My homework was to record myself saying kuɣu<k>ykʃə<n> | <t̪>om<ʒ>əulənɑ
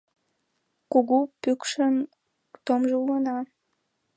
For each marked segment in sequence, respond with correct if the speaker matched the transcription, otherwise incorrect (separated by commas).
incorrect, correct, correct, correct